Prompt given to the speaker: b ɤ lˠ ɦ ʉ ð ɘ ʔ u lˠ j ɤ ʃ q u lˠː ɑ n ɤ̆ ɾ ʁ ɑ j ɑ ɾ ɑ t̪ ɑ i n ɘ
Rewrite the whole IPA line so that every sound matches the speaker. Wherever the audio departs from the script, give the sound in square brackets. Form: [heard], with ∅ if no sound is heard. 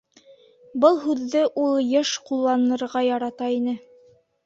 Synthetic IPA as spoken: b ɤ lˠ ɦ ʉ [ðː] ɘ ʔ u lˠ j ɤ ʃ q u lˠː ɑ n ɤ̆ ɾ ʁ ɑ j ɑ ɾ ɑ t̪ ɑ i n ɘ